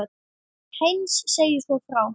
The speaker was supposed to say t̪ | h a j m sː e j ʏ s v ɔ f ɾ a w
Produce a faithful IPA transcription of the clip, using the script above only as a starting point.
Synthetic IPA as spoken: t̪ | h e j n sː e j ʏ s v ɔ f ɾ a w